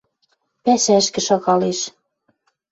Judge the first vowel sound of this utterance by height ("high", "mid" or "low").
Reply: low